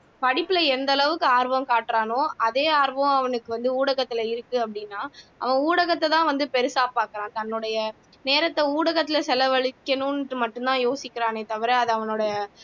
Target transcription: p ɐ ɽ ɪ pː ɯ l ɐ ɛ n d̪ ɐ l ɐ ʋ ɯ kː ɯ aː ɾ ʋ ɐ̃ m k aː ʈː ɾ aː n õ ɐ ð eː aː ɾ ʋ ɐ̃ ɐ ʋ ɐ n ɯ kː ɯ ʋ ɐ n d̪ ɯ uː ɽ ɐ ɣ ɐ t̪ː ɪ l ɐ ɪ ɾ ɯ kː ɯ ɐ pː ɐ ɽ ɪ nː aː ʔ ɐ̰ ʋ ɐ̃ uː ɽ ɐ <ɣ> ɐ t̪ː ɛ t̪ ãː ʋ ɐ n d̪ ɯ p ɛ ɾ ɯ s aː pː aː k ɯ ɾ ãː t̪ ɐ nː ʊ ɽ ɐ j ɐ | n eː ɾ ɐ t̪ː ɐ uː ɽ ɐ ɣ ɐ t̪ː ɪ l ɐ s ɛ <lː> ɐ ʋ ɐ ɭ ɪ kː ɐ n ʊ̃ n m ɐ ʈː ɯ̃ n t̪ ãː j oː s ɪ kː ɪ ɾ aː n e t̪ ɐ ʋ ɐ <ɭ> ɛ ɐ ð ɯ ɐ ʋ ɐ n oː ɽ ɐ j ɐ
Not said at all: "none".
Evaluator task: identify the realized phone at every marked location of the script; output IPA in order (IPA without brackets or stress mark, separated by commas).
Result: ɣ, l, ɾ